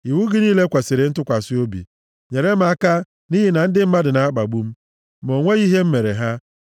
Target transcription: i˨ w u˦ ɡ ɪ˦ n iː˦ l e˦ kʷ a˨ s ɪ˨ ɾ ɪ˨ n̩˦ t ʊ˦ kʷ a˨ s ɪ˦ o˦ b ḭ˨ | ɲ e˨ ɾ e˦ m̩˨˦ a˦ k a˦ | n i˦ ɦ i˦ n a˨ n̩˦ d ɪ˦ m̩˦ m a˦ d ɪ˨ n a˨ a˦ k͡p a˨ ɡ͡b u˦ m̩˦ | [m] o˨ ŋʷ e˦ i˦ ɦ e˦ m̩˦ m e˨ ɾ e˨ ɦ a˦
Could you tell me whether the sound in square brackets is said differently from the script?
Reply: no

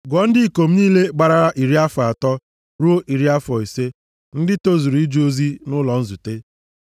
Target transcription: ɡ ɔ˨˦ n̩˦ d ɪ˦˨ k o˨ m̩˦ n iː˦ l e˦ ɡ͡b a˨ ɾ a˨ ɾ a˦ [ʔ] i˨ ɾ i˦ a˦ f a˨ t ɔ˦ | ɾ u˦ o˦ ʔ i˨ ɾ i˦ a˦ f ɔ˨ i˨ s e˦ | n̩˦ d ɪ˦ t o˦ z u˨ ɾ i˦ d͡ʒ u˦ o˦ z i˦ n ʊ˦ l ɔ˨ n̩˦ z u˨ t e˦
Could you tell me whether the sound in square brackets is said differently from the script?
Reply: no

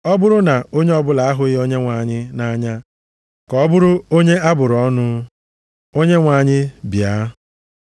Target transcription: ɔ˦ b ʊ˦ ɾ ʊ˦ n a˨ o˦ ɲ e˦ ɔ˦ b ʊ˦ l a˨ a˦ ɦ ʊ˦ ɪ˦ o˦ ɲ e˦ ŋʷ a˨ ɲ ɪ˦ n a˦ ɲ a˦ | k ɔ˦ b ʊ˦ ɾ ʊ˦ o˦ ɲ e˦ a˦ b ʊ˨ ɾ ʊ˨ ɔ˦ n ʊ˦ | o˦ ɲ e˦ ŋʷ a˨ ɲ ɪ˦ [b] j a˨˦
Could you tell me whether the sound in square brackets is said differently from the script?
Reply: no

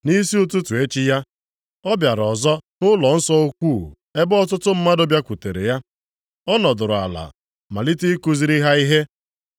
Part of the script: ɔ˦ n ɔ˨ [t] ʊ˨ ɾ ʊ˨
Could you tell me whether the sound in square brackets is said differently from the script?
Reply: yes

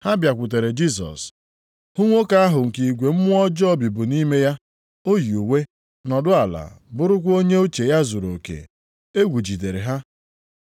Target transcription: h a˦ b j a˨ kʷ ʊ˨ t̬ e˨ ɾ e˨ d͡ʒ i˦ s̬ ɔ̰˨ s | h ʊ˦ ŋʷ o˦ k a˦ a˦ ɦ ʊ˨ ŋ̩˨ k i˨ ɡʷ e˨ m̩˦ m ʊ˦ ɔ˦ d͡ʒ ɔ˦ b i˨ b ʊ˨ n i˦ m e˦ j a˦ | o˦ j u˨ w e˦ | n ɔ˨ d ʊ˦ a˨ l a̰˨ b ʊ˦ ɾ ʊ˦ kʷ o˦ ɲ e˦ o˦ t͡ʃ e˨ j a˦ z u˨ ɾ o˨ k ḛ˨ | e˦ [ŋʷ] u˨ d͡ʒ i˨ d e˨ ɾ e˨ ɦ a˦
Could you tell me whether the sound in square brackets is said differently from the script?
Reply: yes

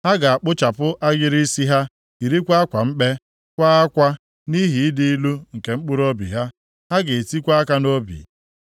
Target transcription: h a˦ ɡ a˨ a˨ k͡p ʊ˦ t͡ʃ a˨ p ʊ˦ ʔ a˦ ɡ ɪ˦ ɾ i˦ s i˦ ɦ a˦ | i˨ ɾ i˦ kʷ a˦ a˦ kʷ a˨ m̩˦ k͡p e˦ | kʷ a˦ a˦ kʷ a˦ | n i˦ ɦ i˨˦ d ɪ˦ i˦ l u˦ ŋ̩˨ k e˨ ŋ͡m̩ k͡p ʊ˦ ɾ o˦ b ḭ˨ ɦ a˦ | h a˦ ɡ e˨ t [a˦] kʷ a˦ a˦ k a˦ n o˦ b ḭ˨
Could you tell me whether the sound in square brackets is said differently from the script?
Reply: yes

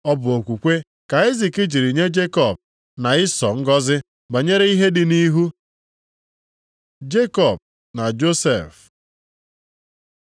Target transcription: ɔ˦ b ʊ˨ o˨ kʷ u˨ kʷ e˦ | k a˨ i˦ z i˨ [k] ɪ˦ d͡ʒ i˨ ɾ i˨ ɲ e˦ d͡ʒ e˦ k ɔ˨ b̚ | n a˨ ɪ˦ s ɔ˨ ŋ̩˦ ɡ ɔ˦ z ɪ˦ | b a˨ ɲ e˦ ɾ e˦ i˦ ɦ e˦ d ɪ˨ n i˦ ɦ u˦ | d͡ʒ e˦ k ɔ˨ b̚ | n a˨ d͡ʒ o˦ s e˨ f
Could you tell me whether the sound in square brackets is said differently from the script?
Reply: no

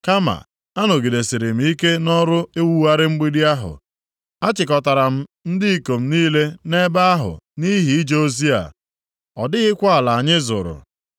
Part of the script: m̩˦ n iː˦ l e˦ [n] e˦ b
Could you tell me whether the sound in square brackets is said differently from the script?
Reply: no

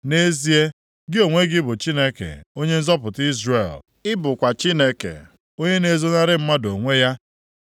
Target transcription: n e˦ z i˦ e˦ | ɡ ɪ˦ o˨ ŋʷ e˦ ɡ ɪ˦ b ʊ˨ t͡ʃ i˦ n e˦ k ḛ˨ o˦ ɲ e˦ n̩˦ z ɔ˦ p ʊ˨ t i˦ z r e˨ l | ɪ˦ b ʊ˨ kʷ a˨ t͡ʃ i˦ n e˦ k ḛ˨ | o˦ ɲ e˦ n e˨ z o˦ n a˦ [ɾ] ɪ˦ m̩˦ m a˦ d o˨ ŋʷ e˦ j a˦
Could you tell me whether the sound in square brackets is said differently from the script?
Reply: no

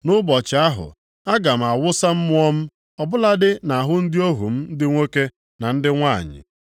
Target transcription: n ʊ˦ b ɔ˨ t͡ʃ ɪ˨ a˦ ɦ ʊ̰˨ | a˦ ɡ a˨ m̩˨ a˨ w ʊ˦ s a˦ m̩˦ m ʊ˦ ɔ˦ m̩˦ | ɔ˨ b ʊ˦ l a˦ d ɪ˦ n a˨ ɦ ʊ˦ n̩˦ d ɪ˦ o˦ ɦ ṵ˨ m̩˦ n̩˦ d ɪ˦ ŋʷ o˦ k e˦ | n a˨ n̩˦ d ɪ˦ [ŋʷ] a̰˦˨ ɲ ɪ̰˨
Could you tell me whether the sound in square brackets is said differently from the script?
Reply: no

